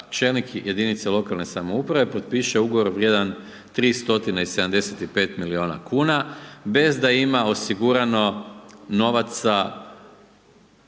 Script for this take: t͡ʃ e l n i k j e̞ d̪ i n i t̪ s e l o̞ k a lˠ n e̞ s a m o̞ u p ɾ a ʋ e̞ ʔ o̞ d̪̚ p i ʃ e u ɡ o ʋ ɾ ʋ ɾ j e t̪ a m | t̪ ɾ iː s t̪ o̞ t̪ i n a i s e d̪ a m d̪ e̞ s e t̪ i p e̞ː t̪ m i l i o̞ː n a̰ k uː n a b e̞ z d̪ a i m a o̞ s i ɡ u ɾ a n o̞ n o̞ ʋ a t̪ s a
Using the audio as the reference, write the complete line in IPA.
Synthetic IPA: t͡ʃ e l n i k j e̞ d̪ i n i t̪ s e l o̞ k a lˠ n e̞ s a m o̞ u p ɾ a ʋ e̞ p o̞ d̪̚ p i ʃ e u ɡ o ʋ ɾ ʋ ɾ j e d̪ a n | t̪ ɾ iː s t̪ o̞ t̪ i n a i s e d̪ a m d̪ e̞ s e t̪ i p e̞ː t̪ m i l i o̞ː n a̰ k uː n a b e̞ z d̪ a i m a o̞ s i ɡ u ɾ a n o̞ n o̞ ʋ a t̪ s a

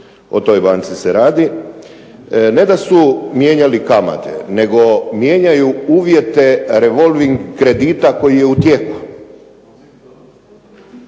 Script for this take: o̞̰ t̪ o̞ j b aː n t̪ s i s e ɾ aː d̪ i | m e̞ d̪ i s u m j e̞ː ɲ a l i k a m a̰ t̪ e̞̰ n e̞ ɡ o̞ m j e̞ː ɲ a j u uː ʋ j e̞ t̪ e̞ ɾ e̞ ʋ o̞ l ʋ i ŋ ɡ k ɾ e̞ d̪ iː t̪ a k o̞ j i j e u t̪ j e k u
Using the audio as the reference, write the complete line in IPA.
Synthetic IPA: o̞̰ t̪ o̞ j b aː n t̪ s i s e ɾ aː d̪ i | n e̞ d̪ a s u m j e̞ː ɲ a l i k a m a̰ t̪ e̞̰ n e̞ ɡ o̞ m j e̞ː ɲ a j u uː ʋ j e̞ t̪ e̞ ɾ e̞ ʋ o̞ l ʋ i ŋ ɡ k ɾ e̞ d̪ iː t̪ a k o̞ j i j e u t̪ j e k u

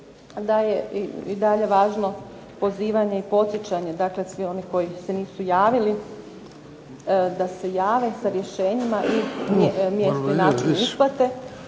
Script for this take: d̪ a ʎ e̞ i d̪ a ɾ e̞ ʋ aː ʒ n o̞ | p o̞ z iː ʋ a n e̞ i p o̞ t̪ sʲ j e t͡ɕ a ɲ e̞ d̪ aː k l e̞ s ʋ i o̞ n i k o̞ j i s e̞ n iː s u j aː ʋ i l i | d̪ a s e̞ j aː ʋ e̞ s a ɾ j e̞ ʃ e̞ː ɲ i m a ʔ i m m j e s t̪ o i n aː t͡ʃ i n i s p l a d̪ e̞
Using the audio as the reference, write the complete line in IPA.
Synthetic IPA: d̪ a j e̞ i d̪ a ʎ e̞ ʋ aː ʒ n o̞ | p o̞ z iː ʋ a ɲ e̞ i p o̞ t̪ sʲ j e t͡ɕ a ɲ e̞ d̪ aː k l e̞ s ʋ i o̞ n i k o̞ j i s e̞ n iː s u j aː ʋ i l i | d̪ a s e̞ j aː ʋ e̞ s a ɾ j e̞ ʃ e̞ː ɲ i m a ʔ i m m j e s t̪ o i n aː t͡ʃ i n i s p l a t̪ e̞

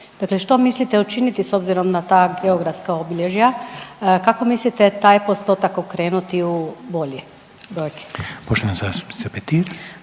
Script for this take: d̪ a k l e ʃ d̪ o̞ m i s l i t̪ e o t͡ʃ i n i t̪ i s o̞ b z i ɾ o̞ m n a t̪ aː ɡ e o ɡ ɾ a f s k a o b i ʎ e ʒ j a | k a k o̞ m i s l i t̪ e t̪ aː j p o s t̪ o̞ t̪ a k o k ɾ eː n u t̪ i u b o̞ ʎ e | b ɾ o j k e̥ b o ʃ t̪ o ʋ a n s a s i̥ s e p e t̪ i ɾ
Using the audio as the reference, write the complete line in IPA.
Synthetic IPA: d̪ a k l e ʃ t̪ o̞ m i s l i t̪ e u t͡ʃ i n i t̪ i s o̞ b z i ɾ o̞ m n a t̪ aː ɡ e o ɡ ɾ a f s k a o b i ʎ e ʒ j a | k a k o̞ m i s l i t̪ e t̪ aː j p o s t̪ o̞ t̪ a k o k ɾ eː n u t̪ i u b o̞ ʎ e | b ɾ o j k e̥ p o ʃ t̪ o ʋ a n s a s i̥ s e p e t̪ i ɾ

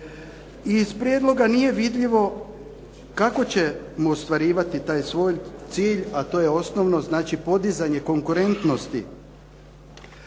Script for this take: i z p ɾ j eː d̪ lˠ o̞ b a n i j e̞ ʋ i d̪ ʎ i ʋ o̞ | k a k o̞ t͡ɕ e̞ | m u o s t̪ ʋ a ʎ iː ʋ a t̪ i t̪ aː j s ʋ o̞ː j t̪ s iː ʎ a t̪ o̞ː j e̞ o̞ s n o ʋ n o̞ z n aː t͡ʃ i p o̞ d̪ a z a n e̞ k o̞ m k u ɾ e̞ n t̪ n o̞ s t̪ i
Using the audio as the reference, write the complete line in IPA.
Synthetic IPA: i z p ɾ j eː d̪ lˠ o̞ ɡ a n i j e̞ ʋ i d̪ ʎ i ʋ o̞ | k a k o̞ t͡ɕ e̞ | m u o s t̪ ʋ a ɾ iː ʋ a t̪ i t̪ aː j s ʋ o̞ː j t̪ s iː ʎ a t̪ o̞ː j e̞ o̞ s n o ʋ n o̞ z n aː t͡ʃ i p o̞ d̪ i z a ɲ e̞ k o̞ ŋ k u ɾ e̞ n t̪ n o̞ s t̪ i

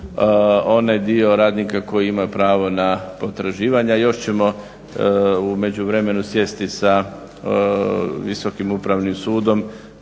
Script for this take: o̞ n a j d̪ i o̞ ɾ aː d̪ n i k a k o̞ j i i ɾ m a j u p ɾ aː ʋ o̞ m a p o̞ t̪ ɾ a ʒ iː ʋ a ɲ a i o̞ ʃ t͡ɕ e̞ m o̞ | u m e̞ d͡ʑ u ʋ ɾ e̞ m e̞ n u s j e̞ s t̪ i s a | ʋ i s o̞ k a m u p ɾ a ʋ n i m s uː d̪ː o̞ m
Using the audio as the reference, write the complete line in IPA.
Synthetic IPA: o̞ n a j d̪ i o̞ ɾ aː d̪ n i k a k o̞ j i i m a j u p ɾ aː ʋ o̞ n a p o̞ t̪ ɾ a ʒ iː ʋ a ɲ a j o̞ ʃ t͡ɕ e̞ m o̞ | u m e̞ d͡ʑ u ʋ ɾ e̞ m e̞ n u s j e̞ s t̪ i s a | ʋ i s o̞ k i m u p ɾ a ʋ n i m s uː d̪ o̞ m

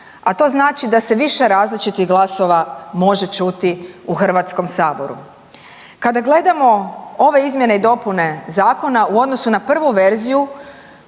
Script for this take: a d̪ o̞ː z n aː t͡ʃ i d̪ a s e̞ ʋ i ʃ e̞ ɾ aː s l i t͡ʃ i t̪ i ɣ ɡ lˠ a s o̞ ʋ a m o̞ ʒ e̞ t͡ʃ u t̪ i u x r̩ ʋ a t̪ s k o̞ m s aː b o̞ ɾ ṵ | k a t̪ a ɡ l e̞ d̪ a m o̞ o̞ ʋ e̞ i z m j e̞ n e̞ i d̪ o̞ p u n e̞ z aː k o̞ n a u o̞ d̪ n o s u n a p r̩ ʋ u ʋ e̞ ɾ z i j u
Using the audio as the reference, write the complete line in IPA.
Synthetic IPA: a t̪ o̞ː z n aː t͡ʃ i d̪ a s e̞ ʋ i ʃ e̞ ɾ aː z l i t͡ʃ i t̪ i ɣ ɡ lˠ a s o̞ ʋ a m o̞ ʒ e̞ t͡ʃ u t̪ i u x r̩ ʋ a t̪ s k o̞ m s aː b o̞ ɾ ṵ | k a d̪ a ɡ l e̞ d̪ a m o̞ o̞ ʋ e̞ i z m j e̞ n e̞ i d̪ o̞ p u n e̞ z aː k o̞ n a u o̞ d̪ n o s u n a p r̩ ʋ u ʋ e̞ ɾ z i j u

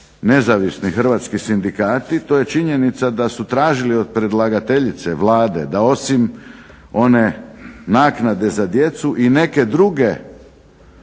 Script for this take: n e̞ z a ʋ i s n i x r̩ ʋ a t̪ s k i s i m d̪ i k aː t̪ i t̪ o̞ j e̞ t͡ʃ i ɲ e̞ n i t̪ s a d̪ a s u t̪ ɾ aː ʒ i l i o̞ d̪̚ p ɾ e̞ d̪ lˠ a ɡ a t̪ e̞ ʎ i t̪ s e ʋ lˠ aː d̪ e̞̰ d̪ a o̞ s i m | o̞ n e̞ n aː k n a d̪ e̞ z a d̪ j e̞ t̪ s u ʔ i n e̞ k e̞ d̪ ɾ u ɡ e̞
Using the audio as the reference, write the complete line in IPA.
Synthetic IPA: n e̞ z a ʋ i s n i x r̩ ʋ a t̪ s k i s i n d̪ i k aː t̪ i t̪ o̞ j e̞ t͡ʃ i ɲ e̞ n i t̪ s a d̪ a s u t̪ ɾ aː ʒ i l i o̞ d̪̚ p ɾ e̞ d̪ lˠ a ɡ a t̪ e̞ ʎ i t̪ s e ʋ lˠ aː d̪ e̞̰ d̪ a o̞ s i m | o̞ n e̞ n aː k n a d̪ e̞ z a d̪ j e̞ t̪ s u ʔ i n e̞ k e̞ d̪ ɾ u ɡ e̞

